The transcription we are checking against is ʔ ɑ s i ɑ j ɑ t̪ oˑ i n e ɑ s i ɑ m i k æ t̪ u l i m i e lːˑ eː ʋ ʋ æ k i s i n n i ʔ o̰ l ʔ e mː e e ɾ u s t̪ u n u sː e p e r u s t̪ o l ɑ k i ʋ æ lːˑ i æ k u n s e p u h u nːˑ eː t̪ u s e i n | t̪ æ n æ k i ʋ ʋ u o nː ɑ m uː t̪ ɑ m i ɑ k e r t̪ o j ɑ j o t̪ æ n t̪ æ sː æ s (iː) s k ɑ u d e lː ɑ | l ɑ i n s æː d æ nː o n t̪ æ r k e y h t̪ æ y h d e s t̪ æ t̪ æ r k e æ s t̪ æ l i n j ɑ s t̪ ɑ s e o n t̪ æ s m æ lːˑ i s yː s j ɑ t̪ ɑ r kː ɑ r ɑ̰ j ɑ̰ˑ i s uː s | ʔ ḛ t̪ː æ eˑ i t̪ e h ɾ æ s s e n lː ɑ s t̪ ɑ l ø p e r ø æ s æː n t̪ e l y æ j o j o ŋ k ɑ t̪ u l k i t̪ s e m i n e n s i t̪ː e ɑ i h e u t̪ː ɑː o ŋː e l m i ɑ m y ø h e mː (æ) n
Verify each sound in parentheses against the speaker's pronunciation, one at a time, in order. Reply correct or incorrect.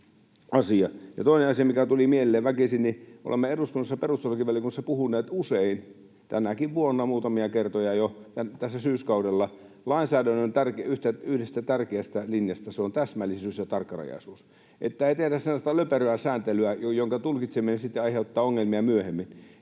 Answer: incorrect: yː, incorrect: i

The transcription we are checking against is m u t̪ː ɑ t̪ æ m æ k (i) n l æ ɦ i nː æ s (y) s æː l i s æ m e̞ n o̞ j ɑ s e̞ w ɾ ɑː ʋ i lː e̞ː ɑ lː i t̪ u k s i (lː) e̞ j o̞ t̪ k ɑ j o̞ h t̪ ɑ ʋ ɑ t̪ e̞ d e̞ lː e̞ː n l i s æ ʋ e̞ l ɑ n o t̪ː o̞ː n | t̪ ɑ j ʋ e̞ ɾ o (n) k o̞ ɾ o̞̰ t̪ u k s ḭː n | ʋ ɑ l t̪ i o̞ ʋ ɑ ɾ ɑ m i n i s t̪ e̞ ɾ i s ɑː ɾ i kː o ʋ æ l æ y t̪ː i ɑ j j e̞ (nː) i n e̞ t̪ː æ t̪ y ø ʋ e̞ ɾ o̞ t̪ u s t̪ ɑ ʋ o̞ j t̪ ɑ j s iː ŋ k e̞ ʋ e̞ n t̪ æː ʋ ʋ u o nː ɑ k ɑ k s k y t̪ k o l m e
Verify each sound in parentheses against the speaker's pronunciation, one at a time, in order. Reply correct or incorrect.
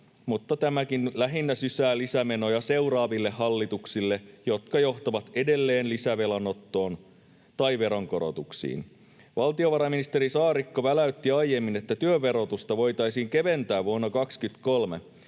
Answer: correct, correct, correct, incorrect: ŋ, incorrect: mː

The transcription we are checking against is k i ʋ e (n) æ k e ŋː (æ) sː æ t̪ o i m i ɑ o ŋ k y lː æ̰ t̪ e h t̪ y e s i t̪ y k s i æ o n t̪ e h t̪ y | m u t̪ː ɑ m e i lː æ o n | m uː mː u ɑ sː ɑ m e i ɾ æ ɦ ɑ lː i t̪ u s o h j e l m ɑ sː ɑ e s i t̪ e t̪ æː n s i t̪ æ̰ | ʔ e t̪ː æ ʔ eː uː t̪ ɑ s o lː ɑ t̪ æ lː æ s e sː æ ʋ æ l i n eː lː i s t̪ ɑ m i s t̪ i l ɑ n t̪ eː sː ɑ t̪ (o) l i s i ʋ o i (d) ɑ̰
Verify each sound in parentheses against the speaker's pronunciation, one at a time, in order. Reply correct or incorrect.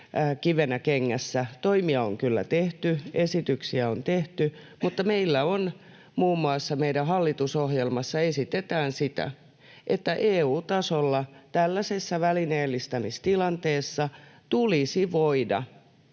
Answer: correct, correct, incorrect: u, correct

